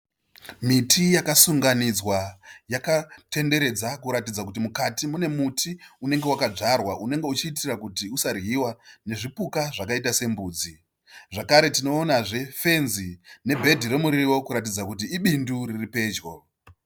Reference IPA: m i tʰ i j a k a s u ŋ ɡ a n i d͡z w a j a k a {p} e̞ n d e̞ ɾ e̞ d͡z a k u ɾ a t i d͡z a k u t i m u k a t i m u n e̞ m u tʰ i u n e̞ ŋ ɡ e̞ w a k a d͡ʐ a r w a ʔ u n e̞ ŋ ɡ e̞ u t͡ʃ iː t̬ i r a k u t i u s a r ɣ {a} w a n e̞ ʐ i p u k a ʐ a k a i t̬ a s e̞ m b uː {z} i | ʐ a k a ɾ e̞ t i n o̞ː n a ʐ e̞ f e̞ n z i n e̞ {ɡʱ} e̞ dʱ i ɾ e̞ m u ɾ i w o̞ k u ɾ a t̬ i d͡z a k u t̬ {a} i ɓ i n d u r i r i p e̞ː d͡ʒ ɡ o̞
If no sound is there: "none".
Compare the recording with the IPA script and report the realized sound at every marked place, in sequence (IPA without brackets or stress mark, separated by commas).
t, i, d͡z, bʱ, i